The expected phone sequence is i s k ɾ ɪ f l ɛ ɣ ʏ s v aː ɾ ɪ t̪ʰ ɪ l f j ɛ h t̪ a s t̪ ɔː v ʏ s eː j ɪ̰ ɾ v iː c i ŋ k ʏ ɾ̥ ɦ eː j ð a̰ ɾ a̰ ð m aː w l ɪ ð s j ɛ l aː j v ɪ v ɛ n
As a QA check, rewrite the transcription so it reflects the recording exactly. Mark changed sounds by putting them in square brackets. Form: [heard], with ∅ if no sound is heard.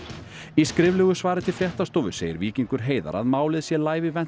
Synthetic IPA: i s k ɾ ɪ [v] l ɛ ɣ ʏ s v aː ɾ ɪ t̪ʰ ɪ l f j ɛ h t̪ a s t̪ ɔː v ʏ s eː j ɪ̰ ɾ v iː c i ŋ k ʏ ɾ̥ ɦ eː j ð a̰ ɾ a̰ ð m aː w l ɪ ð s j ɛ l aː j v ɪ v ɛ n